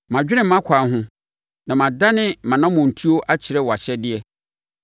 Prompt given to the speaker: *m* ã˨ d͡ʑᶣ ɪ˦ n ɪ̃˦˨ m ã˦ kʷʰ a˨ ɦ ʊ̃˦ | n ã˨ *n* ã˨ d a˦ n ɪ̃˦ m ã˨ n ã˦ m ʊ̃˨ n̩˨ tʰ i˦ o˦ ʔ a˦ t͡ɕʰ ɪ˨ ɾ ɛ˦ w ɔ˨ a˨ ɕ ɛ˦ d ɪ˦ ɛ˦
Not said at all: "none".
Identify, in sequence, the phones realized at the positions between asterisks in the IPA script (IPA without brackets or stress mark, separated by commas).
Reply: m, m